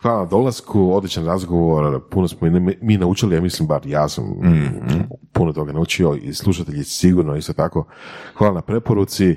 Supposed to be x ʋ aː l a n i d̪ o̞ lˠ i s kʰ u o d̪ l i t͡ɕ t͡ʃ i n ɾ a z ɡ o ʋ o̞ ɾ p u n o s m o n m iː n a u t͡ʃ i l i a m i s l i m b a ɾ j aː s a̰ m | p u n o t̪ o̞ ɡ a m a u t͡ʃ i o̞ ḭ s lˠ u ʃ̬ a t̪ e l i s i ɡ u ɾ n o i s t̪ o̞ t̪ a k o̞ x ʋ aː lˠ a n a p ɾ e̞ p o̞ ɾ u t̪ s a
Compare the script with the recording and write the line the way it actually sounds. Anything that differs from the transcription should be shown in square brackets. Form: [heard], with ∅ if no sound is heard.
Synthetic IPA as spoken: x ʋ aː l a n [a] d̪ o̞ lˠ [a] s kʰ u o d̪ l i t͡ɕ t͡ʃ [a] n ɾ a z ɡ o ʋ o̞ ɾ p u n o s m o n m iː n a u t͡ʃ i l i a m i s l i m b a ɾ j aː s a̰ m | p u n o t̪ o̞ ɡ a [n] a u t͡ʃ i o̞ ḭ s lˠ u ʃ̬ a t̪ e [ʎ] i s i ɡ u ɾ n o i s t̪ o̞ t̪ a k o̞ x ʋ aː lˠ a n a p ɾ e̞ p o̞ ɾ u t̪ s [i]